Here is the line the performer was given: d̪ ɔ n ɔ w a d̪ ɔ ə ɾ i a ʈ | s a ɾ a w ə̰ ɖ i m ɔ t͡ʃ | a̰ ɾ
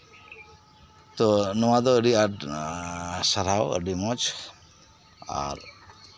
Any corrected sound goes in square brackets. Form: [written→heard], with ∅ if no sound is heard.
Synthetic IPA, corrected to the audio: [d̪→t̪] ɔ n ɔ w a d̪ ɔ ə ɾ i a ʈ | s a ɾ a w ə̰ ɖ i m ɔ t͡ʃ | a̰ ɾ